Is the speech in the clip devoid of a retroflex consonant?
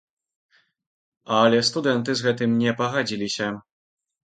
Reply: yes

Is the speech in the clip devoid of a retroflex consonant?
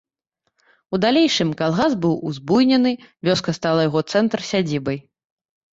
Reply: no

